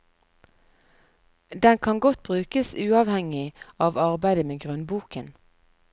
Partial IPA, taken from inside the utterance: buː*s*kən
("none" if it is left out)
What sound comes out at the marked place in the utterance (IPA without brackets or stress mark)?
none